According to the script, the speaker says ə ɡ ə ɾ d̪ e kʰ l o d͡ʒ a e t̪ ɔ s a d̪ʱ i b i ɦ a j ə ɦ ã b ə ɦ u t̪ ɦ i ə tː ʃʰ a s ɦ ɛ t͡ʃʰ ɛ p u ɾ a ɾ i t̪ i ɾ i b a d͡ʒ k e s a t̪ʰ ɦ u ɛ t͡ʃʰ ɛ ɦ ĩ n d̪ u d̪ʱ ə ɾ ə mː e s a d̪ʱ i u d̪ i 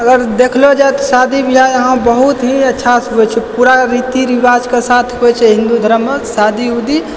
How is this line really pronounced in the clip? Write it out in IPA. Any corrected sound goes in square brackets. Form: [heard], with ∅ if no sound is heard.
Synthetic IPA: ə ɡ ə ɾ d̪ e kʰ l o d͡ʒ a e t̪ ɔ s a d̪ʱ i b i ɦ a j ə ɦ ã b ə ɦ u t̪ ɦ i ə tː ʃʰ a s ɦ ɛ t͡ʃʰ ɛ p u ɾ a ɾ i t̪ i ɾ i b a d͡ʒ k e s a t̪ʰ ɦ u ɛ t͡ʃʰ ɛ ɦ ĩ n d̪ u d̪ʱ ə ɾ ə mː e s a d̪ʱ i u d̪ i